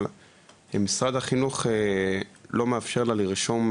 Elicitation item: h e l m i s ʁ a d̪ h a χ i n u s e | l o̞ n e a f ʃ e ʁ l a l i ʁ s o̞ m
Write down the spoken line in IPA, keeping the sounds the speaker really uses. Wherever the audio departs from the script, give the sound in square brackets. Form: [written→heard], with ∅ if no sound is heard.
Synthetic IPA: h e [l→∅] m i s ʁ a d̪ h a χ i n u [s→χ] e | l o̞ [n→m] e a f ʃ e ʁ l a l i ʁ [s→ʃ] o̞ m